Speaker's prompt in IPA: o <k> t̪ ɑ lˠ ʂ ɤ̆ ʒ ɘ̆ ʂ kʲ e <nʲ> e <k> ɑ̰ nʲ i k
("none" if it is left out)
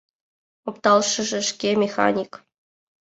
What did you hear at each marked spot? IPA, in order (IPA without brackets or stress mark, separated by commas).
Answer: p, mʲ, x